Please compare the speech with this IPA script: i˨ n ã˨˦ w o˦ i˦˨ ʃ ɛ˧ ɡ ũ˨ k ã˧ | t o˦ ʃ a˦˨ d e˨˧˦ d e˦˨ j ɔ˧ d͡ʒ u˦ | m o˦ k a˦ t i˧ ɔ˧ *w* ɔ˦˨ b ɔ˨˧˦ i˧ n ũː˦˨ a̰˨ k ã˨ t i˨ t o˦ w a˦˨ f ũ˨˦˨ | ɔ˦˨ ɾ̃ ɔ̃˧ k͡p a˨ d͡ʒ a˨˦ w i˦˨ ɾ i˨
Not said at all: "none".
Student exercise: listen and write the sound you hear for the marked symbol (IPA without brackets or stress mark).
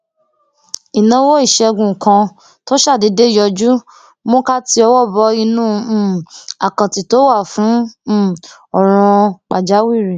w